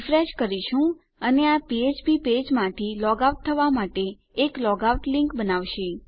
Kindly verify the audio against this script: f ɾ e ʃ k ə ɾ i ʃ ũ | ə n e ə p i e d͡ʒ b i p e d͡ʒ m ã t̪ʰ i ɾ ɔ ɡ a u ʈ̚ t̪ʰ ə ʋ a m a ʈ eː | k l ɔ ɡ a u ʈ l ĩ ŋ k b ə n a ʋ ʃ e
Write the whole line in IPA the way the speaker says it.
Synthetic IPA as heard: f ɾ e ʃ k ə ɾ i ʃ ũ | ə n e a p i e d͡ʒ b i p e d͡ʒ m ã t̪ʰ i l ɔ ɡ a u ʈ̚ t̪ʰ ə ʋ a m a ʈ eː | k l ɔ ɡ a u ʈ l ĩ ŋ k b ə n a ʋ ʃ e